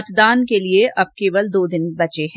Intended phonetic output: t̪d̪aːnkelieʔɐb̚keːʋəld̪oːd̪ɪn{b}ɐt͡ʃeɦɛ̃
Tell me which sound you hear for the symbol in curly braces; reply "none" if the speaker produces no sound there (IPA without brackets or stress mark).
b